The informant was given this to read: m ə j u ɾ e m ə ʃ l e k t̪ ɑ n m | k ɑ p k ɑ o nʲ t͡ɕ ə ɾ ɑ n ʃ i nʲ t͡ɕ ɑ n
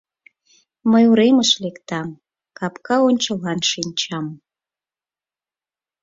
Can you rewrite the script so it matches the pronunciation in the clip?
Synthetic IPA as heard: m ə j u ɾ e m ə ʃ l e k t̪ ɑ m | k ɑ p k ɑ o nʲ t͡ɕ ə l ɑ n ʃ i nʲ t͡ɕ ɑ m